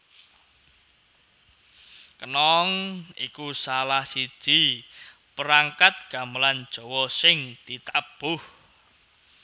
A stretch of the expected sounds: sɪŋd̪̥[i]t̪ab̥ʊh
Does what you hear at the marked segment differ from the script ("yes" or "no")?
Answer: no